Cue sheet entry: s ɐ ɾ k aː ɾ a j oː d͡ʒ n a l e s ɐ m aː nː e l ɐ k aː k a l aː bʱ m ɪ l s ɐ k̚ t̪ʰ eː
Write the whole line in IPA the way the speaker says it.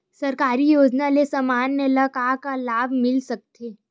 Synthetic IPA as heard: s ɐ ɾ k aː ɾ i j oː d͡ʒ n a l e s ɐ m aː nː e l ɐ k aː k a l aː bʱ m ɪ l s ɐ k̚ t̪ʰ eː

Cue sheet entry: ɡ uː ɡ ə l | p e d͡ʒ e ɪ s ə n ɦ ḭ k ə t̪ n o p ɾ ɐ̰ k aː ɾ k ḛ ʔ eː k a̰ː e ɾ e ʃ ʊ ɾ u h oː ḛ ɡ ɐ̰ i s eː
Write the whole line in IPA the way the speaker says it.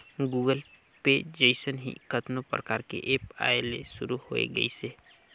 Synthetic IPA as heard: ɡ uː ɡ ə l | p e d͡ʒ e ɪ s ə n ɦ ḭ k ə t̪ n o p ɾ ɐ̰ k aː ɾ k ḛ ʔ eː p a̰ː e l e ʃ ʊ ɾ u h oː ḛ ɡ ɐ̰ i s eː

